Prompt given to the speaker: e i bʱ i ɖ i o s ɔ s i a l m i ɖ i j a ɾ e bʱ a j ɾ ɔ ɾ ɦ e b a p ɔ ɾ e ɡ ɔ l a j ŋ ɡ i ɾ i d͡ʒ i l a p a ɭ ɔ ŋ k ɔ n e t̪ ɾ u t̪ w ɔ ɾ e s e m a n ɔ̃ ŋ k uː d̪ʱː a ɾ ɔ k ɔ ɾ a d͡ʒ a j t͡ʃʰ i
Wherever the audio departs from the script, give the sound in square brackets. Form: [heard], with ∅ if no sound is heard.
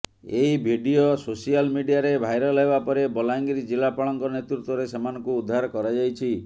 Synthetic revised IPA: e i bʱ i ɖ i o s [o] s i a l m i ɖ i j a ɾ e bʱ a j ɾ ɔ [l] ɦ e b a p ɔ ɾ e [b] ɔ l a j ŋ ɡ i ɾ i d͡ʒ i l a p a ɭ ɔ ŋ k ɔ n e t̪ ɾ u t̪ w ɔ ɾ e s e m a n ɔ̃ ŋ k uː d̪ʱː a ɾ ɔ k ɔ ɾ a d͡ʒ a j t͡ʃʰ i